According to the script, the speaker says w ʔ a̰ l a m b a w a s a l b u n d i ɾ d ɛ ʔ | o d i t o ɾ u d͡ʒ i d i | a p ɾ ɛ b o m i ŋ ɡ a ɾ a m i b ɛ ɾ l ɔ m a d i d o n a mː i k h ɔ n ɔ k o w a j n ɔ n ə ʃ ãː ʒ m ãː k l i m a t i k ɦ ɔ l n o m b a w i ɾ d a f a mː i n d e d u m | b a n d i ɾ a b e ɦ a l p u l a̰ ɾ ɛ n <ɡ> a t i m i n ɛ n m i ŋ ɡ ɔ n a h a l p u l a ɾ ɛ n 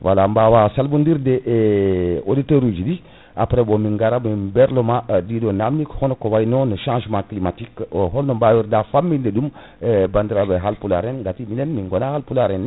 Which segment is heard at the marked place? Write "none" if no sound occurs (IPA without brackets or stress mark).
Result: ɡ